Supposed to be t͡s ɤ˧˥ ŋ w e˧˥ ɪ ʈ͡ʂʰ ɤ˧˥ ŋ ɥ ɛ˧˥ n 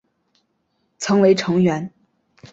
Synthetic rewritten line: t͡sʰ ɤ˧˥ ŋ w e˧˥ ɪ ʈ͡ʂʰ ɤ˧˥ ŋ ɥ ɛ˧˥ n